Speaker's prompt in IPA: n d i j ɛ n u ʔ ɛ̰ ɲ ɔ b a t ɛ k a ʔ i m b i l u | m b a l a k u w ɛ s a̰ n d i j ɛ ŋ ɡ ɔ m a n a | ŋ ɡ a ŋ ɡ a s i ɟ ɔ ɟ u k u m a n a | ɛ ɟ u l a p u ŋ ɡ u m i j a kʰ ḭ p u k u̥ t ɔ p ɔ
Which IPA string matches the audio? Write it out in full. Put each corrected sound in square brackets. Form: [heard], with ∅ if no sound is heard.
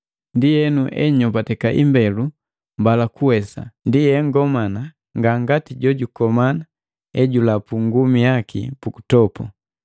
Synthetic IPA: n d i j ɛ n u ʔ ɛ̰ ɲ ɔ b a t ɛ k a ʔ i m b [ɛ] l u | m b a l a k u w ɛ s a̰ n d i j ɛ ŋ ɡ ɔ m a n a | ŋ ɡ a ŋ ɡ a [t] i ɟ ɔ ɟ u k [ɔ] m a n a | ɛ ɟ u l a p u ŋ ɡ u m i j a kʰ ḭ p u k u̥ t ɔ p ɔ